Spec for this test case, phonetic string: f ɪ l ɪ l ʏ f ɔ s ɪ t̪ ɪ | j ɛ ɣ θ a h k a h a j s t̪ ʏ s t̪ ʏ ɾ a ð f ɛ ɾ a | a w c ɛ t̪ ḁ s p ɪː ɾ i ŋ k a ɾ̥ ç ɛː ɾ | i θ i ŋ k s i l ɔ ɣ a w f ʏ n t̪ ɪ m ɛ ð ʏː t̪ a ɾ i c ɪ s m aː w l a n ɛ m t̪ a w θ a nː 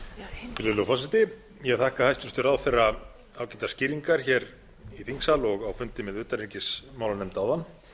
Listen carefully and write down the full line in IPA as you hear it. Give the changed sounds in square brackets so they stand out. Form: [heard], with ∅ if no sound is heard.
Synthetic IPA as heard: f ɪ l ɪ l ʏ f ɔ s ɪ t̪ ɪ | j ɛ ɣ θ a h k a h a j s t̪ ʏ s t̪ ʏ ɾ a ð f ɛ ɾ a | a w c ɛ t̪ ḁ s [c] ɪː ɾ i ŋ k a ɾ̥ ç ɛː ɾ | i θ i ŋ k s [a] l ɔ ɣ a w f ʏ n t̪ ɪ m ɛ ð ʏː t̪ a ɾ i c ɪ s m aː w l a n ɛ m t̪ a w [ð] a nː

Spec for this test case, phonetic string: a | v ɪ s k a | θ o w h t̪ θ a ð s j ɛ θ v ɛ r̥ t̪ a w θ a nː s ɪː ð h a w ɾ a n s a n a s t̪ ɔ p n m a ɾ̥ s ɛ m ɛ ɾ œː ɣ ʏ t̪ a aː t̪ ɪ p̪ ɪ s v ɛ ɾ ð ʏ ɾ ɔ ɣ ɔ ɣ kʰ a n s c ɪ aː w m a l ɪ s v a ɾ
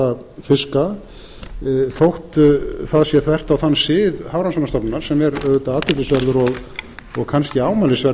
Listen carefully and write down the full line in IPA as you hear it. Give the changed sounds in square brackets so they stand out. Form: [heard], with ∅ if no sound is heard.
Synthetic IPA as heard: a | [f] ɪ s k a | θ o w h t̪ θ a ð s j ɛ θ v ɛ r̥ t̪ a w θ a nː s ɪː ð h a w ɾ a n s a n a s t̪ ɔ p n [n] a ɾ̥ s ɛ m ɛ ɾ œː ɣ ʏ t̪ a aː t̪ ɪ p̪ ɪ s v ɛ ɾ ð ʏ ɾ ɔ ɣ ɔ ɣ kʰ a n s c ɪ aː w m a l ɪ s v [ɛ] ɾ

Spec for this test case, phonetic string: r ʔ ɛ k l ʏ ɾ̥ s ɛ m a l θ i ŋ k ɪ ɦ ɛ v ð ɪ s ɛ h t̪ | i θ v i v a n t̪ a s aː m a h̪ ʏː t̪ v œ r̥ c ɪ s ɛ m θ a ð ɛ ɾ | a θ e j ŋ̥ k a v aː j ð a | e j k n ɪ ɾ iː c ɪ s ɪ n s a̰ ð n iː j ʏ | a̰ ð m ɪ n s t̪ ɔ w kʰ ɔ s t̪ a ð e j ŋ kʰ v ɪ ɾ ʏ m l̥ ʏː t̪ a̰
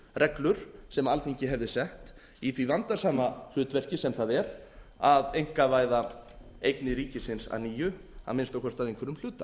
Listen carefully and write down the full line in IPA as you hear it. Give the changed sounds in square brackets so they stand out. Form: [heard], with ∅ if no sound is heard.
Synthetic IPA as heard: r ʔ ɛ k l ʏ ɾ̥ s ɛ m a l θ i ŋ [c] ɪ ɦ ɛ v ð ɪ s ɛ h t̪ | i θ v i v a n t̪ a s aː m a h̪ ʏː t̪ v [ɛ] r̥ c ɪ s ɛ m θ a ð ɛ ɾ | a [ð] e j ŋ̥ k a v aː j ð a | e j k n ɪ ɾ iː c ɪ s ɪ n s a̰ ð n iː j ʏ | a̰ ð m ɪ n s t̪ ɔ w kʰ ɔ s t̪ a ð e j ŋ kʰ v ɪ ɾ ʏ m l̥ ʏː t̪ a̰

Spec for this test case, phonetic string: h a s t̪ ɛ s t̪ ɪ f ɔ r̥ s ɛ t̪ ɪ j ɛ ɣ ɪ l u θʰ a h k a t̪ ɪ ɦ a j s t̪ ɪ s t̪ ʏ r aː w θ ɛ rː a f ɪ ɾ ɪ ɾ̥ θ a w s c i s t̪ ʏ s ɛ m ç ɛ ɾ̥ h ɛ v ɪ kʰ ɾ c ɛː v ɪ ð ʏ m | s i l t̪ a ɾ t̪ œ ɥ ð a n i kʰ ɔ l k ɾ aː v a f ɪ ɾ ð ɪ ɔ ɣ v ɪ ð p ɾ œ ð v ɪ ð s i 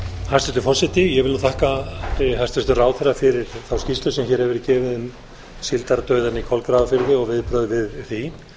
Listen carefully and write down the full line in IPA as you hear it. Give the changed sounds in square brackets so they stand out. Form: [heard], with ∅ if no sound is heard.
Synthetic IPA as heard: h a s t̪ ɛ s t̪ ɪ f ɔ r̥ s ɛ t̪ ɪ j ɛ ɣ ɪ l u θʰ a h k a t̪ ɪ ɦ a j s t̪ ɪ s t̪ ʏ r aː w θ ɛ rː a f ɪ ɾ ɪ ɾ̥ θ a w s c i s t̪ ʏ s ɛ m ç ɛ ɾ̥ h ɛ v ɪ [∅] ɾ c ɛː v ɪ ð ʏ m | s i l t̪ a ɾ t̪ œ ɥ ð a n i kʰ ɔ l k ɾ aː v a f ɪ ɾ ð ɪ ɔ ɣ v ɪ ð p ɾ œ ð v ɪ ð [θ] i

